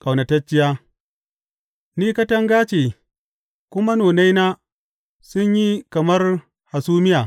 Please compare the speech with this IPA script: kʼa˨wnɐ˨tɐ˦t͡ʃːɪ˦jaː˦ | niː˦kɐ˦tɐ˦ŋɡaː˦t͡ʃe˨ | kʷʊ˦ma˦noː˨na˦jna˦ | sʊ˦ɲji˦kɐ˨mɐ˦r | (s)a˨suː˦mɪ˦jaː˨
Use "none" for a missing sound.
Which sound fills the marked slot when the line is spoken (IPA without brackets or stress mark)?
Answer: h